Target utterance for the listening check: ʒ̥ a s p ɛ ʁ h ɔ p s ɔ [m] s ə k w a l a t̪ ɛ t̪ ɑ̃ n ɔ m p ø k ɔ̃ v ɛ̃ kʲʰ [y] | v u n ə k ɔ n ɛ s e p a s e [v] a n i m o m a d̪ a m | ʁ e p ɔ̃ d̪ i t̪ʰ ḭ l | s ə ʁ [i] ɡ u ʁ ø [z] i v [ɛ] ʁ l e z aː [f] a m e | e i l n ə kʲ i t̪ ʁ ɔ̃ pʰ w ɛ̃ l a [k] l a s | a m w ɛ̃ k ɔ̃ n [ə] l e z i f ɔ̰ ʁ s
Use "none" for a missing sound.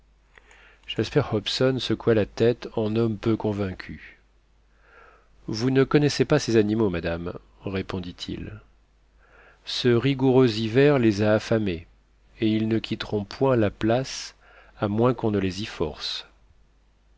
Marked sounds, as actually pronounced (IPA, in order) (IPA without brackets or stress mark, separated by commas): n, y, z, i, z, ɛ, f, p, ə